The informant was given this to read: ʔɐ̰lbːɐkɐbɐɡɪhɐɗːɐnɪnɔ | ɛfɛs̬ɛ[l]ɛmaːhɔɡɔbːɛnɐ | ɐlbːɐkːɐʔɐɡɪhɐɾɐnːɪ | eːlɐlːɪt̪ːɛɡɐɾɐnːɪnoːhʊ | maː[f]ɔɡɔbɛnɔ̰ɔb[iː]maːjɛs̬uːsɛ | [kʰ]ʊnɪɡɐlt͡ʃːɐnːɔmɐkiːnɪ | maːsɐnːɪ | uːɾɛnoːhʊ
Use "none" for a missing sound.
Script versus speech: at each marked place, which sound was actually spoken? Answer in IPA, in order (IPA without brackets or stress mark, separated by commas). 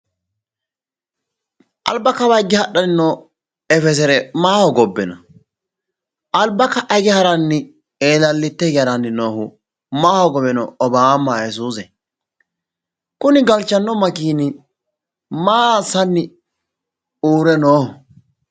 ɾ, h, aː, k